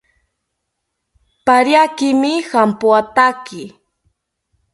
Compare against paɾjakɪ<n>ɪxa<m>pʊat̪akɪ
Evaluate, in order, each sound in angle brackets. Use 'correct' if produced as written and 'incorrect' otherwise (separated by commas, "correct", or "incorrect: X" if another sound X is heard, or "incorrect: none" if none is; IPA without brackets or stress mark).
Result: incorrect: m, correct